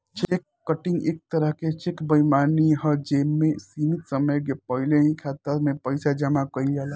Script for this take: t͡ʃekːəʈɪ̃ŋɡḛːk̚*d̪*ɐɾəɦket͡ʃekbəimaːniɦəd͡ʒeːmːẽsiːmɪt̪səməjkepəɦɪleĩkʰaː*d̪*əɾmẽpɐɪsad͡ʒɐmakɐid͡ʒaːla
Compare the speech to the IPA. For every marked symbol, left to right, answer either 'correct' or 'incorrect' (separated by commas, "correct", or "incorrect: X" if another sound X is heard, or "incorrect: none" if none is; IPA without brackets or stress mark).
incorrect: t̪, incorrect: t̪